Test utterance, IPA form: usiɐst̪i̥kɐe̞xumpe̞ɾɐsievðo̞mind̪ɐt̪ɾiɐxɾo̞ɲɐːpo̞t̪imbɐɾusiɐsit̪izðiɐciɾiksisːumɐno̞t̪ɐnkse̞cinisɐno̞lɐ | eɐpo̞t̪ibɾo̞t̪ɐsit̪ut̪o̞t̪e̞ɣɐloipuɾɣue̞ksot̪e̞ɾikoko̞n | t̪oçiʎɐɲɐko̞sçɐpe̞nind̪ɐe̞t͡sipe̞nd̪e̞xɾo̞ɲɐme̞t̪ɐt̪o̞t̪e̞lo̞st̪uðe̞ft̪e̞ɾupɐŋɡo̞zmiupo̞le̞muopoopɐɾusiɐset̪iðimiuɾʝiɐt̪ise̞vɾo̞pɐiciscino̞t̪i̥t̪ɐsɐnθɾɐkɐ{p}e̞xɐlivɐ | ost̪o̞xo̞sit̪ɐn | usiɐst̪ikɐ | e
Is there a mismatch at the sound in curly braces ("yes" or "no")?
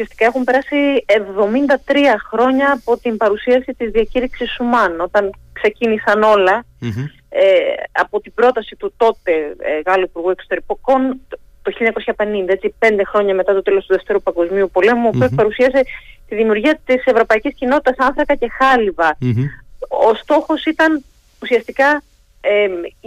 yes